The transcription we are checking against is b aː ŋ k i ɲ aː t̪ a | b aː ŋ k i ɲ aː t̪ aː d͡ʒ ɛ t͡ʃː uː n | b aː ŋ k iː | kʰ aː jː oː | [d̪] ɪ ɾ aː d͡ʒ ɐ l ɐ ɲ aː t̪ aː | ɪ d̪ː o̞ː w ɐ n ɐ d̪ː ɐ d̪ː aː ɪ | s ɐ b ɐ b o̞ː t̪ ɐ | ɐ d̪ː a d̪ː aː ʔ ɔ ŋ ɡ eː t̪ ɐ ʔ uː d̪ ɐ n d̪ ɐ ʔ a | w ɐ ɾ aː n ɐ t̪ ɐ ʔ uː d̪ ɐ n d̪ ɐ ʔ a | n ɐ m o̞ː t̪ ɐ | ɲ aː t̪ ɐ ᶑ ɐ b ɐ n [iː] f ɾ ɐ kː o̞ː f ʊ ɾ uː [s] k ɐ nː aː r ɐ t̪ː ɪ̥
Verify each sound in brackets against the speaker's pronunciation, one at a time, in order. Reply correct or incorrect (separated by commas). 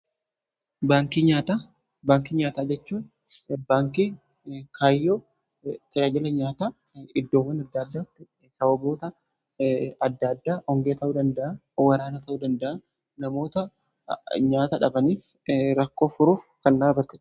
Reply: incorrect, correct, incorrect